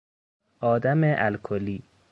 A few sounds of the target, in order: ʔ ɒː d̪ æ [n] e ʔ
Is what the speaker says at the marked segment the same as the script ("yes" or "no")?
no